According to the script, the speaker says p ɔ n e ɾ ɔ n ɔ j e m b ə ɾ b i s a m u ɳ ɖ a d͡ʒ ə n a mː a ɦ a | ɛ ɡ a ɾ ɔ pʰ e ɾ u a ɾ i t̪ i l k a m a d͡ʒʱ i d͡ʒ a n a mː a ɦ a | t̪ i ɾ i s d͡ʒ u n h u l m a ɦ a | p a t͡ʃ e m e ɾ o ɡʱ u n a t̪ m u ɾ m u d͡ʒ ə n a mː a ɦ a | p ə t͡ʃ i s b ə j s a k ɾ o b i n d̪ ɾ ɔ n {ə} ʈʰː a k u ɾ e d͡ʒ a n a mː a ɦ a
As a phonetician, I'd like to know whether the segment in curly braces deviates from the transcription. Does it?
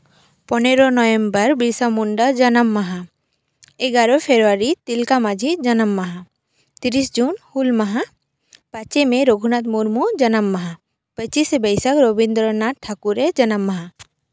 yes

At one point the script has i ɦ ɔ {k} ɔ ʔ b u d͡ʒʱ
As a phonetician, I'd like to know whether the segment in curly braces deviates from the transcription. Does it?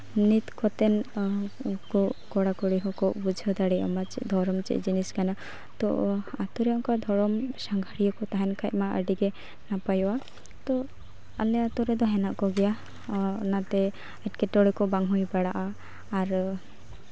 no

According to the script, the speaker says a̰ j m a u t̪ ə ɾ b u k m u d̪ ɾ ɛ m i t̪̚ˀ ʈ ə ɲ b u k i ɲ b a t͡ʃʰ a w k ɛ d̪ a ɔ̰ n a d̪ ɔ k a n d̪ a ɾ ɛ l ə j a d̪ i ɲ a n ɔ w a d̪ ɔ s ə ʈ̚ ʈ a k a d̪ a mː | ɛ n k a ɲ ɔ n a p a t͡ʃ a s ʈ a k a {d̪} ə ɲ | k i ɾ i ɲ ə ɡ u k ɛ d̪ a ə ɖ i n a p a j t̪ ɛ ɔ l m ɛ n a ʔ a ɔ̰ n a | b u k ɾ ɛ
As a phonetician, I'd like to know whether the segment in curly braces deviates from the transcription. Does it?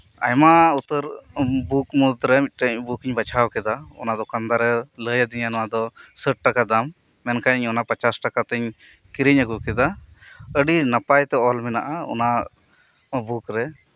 yes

